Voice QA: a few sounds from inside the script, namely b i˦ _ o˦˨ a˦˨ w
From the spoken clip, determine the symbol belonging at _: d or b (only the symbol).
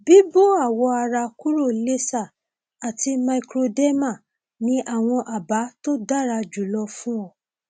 b